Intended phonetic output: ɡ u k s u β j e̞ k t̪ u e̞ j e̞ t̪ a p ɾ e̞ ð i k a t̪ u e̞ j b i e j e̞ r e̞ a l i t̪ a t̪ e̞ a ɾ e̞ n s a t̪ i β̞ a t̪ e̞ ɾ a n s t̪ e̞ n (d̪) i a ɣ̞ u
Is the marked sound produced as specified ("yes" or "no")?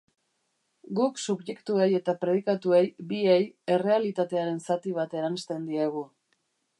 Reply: yes